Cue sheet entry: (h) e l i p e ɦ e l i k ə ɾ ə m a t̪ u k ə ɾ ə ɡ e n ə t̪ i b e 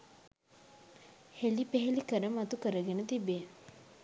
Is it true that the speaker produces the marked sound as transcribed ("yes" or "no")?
yes